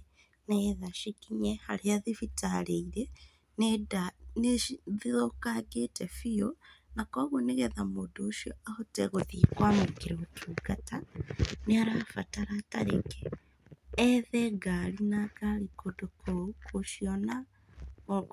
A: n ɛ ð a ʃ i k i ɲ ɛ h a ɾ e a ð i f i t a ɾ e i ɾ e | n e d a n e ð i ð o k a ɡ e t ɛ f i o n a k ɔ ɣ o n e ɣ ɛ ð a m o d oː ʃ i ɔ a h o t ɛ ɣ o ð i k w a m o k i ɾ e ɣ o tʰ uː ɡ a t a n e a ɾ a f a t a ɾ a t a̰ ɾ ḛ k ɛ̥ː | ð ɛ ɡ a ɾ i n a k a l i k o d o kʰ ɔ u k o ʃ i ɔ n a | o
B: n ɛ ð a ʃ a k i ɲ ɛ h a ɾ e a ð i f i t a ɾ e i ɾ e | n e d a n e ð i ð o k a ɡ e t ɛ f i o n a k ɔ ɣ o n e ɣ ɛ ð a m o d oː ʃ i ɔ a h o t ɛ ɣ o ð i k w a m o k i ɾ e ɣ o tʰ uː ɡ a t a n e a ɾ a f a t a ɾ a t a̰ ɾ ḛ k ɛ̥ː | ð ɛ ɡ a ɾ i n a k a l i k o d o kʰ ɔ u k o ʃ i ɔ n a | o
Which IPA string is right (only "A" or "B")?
A